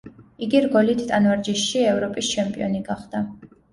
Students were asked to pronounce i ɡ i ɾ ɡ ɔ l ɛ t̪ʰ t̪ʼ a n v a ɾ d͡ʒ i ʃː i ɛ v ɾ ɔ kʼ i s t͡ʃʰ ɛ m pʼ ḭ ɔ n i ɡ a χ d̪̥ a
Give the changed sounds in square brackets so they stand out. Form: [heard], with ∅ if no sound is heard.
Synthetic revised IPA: i ɡ i ɾ ɡ ɔ l [i] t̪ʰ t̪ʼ a n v a ɾ d͡ʒ i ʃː i ɛ v ɾ ɔ [pʼ] i s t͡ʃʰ ɛ m pʼ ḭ ɔ n i ɡ a χ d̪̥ a

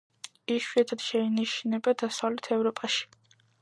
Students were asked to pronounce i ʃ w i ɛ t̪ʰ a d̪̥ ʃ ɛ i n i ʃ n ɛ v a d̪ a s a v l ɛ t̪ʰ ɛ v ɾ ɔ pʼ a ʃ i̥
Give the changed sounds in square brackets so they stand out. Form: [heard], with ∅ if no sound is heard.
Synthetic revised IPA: i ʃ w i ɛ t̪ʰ a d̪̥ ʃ ɛ i n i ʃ n ɛ [b] a d̪ a s a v l ɛ t̪ʰ ɛ v ɾ ɔ pʼ a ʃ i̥

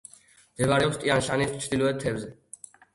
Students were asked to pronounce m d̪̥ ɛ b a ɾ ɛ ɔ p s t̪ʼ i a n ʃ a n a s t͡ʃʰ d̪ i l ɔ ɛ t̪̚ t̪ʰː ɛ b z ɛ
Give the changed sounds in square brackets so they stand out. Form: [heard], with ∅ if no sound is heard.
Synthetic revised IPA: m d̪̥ ɛ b a ɾ ɛ ɔ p s t̪ʼ i a n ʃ a n [i] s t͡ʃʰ d̪ i l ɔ ɛ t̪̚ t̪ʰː ɛ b z ɛ

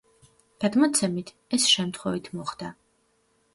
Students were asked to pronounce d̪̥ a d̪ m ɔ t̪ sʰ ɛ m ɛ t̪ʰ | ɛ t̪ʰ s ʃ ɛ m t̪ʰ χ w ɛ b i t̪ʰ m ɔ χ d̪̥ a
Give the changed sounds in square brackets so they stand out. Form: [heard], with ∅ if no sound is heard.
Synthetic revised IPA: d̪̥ a d̪ m ɔ t̪ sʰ ɛ m [i] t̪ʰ | ɛ [∅] s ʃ ɛ m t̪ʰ χ w ɛ [v] i t̪ʰ m ɔ χ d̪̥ a

